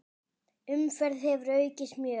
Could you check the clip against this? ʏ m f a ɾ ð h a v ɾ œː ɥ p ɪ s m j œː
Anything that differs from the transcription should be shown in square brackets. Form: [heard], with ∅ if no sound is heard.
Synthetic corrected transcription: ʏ m f [ɛ] ɾ ð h [ɛ] v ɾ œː ɥ [c] ɪ s m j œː